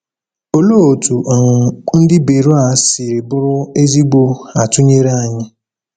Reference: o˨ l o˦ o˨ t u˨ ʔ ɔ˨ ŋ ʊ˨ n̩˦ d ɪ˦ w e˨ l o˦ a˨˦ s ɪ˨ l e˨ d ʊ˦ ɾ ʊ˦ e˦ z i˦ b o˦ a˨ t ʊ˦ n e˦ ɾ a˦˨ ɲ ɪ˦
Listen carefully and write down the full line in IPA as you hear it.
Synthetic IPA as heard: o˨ l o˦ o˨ t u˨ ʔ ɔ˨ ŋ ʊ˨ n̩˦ d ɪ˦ b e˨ ɾ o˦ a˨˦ s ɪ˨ ɾ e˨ b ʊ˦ ɾ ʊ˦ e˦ z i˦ ɡ͡b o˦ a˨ t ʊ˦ ɲ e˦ ɾ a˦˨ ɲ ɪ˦